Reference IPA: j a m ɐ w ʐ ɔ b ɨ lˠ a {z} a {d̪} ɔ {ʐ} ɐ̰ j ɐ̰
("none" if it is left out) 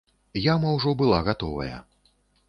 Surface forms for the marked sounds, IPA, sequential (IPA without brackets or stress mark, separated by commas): ɣ, t̪, v